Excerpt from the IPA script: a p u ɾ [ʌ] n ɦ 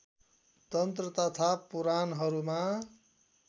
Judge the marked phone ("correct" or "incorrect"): incorrect